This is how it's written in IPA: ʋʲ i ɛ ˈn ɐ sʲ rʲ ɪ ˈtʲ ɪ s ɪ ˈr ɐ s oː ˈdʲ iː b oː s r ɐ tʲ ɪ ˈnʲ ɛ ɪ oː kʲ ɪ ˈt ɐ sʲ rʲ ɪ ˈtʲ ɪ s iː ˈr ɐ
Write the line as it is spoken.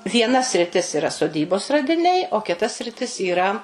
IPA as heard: ʋʲ i ɛ ˈn ɐ sʲ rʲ ɪ ˈtʲ ɪ s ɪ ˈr ɐ s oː ˈdʲ iː b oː s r ɐ dʲ ɪ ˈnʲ ɛ ɪ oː kʲ ɪ ˈt ɐ sʲ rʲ ɪ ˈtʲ ɪ s iː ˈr ɐ